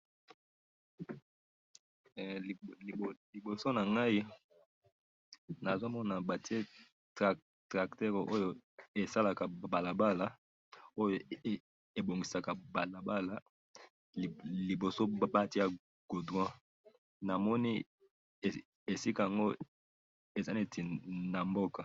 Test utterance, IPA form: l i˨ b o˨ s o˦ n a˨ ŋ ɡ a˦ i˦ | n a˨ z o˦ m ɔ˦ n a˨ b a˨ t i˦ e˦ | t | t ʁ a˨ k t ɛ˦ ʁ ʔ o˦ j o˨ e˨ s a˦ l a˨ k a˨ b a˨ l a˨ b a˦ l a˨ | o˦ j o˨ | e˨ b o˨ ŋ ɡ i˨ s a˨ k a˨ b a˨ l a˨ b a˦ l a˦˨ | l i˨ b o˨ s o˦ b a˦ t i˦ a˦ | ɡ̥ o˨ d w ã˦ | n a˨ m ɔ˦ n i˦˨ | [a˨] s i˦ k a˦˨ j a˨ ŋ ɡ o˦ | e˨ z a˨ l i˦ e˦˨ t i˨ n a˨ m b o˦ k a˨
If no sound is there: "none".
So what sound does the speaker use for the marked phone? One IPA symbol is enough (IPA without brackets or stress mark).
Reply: e˨